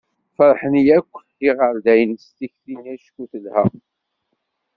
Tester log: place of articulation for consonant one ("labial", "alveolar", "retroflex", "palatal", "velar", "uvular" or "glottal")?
labial